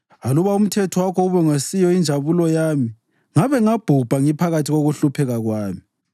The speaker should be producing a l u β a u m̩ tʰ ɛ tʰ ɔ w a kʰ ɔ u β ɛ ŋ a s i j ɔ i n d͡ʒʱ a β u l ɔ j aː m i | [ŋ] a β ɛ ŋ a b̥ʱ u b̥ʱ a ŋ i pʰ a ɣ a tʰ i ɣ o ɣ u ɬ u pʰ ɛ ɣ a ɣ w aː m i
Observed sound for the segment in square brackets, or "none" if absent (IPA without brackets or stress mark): ŋ